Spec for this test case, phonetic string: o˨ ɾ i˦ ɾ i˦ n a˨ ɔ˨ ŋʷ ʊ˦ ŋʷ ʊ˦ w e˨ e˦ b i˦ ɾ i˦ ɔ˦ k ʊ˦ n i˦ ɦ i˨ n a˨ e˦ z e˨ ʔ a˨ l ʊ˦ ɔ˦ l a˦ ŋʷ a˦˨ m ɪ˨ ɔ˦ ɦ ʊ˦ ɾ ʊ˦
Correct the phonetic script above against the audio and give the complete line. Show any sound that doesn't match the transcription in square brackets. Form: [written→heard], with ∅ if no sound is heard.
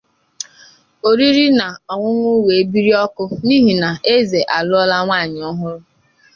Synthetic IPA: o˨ ɾ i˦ ɾ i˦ n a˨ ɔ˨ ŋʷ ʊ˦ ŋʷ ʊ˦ w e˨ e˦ b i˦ ɾ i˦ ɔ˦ k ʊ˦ n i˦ ɦ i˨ n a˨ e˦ z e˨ ʔ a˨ l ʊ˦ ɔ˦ l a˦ ŋʷ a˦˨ [m→ɲ] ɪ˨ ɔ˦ ɦ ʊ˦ ɾ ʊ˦

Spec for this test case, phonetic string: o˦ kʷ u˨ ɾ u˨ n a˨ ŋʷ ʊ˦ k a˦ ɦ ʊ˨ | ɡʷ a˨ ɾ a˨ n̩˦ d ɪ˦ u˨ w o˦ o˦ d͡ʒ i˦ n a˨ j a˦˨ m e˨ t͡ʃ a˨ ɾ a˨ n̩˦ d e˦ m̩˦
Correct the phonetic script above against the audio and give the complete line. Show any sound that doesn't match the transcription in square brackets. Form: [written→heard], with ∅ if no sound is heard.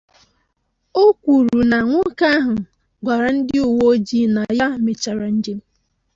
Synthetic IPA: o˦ kʷ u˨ ɾ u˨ n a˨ ŋʷ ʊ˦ k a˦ ɦ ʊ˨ | ɡʷ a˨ ɾ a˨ n̩˦ d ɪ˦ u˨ w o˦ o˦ d͡ʒ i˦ n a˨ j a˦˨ m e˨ t͡ʃ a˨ ɾ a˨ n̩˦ [d→d͡ʒ] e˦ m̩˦

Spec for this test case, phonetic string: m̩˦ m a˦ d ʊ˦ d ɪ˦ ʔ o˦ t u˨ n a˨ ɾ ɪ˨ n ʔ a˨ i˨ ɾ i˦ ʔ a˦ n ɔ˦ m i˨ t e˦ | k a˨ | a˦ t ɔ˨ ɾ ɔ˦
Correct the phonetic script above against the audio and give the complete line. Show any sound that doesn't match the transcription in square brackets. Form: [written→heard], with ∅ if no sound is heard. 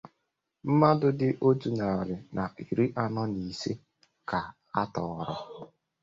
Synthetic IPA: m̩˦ m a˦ d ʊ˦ d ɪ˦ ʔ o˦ t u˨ n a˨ ɾ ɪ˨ n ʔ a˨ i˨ ɾ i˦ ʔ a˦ n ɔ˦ [m→n] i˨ [t→s] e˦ | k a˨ | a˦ t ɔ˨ ɾ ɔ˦

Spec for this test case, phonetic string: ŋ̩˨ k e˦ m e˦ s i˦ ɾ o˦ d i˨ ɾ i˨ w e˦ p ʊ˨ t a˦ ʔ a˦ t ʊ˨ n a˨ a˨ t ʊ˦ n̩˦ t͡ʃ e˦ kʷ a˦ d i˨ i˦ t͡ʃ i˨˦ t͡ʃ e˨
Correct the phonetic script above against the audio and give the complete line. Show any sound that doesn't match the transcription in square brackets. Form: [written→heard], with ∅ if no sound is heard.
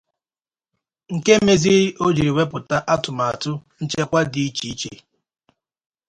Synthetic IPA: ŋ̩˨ k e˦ m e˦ [s→z] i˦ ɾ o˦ [d→d͡ʒ] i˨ ɾ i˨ w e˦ p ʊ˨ t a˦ ʔ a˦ t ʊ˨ [n→m] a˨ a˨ t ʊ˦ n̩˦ t͡ʃ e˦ kʷ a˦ d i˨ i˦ t͡ʃ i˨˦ t͡ʃ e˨

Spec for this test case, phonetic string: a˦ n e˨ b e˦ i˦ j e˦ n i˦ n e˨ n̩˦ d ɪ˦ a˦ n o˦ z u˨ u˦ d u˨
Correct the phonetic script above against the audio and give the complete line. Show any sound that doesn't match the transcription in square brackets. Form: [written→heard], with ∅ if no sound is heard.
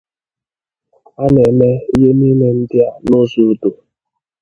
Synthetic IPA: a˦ n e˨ [b→m] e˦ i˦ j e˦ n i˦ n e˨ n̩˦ d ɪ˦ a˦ n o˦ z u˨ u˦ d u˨

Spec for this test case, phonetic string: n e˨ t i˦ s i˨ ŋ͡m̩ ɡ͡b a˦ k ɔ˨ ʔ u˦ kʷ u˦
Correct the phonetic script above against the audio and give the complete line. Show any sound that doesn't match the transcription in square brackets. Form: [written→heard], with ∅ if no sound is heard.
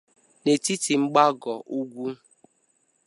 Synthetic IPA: n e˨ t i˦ [s→t] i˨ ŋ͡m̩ ɡ͡b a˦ [k→ɡ] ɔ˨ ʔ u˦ [kʷ→ɡʷ] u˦

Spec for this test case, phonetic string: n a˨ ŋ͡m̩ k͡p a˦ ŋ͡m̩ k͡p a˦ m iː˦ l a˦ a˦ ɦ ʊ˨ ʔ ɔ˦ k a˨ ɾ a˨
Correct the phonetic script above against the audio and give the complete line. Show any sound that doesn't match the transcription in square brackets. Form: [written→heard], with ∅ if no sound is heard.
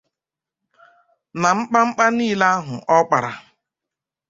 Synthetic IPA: n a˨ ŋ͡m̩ k͡p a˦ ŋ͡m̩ k͡p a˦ [m→n] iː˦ l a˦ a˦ ɦ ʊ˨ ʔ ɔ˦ [k→k͡p] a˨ ɾ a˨

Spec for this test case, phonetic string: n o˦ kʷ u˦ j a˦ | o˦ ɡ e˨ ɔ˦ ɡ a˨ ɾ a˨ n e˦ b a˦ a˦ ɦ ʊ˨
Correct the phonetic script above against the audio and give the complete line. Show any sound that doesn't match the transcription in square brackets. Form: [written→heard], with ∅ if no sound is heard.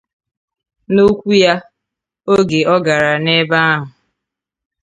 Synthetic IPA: n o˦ kʷ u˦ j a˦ | o˦ ɡ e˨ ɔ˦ ɡ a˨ ɾ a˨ n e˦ b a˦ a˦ ɦ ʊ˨

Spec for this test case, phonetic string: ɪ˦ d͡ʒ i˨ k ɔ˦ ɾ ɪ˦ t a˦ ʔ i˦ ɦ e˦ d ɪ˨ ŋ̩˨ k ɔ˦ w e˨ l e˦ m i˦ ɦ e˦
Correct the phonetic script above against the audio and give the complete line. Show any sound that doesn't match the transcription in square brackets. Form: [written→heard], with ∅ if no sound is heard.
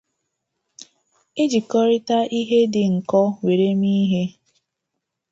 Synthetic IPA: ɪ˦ d͡ʒ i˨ k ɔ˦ ɾ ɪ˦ t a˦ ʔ i˦ ɦ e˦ d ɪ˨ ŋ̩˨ k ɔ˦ w e˨ [l→ɾ] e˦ m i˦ ɦ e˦

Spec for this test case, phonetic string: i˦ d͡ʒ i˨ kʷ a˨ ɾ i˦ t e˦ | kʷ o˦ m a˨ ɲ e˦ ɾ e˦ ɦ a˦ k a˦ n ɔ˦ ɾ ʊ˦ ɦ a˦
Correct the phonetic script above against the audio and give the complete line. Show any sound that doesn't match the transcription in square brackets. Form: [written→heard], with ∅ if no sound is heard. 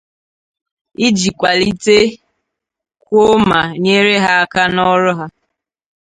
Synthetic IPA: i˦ d͡ʒ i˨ kʷ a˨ [ɾ→l] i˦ t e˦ | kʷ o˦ m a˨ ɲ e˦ ɾ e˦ ɦ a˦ k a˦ n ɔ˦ ɾ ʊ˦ ɦ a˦

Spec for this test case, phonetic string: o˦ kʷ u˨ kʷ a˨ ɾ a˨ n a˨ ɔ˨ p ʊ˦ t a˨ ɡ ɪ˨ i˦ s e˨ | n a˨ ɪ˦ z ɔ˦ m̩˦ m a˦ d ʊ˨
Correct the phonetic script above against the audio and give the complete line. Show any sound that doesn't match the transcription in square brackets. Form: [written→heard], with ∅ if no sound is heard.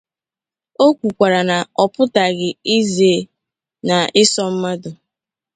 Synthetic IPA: o˦ kʷ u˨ kʷ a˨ ɾ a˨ n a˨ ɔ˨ p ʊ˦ t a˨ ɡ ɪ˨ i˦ [s→z] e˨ | n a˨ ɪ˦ [z→s] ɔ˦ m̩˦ m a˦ d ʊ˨

